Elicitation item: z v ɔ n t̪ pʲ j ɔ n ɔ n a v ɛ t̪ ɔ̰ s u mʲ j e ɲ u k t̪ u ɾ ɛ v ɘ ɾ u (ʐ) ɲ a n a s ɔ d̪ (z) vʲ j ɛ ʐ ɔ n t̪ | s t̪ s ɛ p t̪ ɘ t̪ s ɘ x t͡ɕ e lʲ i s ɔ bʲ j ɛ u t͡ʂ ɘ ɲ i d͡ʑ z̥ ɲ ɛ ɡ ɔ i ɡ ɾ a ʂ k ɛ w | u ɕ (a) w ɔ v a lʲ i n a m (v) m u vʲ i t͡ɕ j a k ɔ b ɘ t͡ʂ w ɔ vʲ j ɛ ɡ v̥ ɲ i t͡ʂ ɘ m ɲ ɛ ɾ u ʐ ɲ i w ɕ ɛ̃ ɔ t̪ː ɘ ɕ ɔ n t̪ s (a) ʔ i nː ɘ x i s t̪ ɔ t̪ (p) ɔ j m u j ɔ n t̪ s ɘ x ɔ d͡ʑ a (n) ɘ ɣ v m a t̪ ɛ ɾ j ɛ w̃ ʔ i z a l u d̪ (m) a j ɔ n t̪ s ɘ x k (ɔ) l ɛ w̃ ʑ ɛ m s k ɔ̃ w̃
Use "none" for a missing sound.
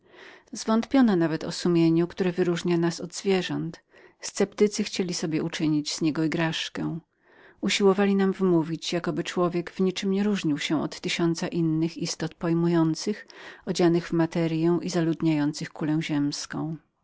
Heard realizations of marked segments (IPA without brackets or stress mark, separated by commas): ʐ, z, i, v, a, p, n, ɲ, u